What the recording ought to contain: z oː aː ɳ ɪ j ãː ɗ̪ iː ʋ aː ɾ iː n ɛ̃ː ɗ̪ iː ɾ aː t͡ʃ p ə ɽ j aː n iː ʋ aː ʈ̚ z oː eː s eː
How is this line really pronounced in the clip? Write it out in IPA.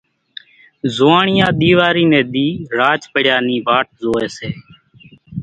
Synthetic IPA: z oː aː ɳ ɪ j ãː ɗ̪ iː ʋ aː ɾ iː n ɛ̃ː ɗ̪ iː ɾ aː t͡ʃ p ə ɽ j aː n iː ʋ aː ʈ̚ z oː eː s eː